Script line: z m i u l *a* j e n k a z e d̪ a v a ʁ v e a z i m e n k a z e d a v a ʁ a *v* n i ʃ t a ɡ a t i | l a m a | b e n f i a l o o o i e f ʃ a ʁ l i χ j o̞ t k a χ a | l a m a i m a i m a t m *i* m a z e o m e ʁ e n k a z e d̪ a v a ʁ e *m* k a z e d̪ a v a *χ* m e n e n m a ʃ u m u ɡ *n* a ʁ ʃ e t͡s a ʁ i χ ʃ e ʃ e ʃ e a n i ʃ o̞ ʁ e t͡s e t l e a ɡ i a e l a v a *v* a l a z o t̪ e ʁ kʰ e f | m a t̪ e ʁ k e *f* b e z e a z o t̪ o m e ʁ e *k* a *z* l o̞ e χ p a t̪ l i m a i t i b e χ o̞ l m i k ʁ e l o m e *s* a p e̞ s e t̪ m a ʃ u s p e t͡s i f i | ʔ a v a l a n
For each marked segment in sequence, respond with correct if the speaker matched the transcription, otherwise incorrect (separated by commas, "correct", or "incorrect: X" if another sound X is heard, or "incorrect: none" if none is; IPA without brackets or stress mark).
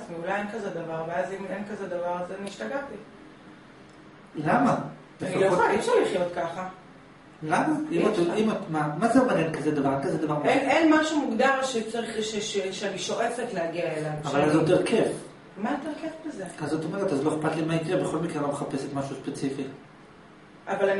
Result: correct, incorrect: z, incorrect: a, incorrect: n, incorrect: ʁ, incorrect: d, correct, correct, incorrect: t, correct, incorrect: χ